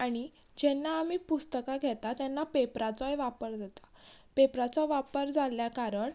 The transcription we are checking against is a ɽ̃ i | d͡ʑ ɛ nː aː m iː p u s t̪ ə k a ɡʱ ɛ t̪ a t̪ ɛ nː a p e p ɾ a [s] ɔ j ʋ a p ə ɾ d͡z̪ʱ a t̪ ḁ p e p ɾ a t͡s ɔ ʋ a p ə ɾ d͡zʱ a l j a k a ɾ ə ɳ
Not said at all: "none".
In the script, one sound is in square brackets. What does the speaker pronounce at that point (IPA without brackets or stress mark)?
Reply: t͡s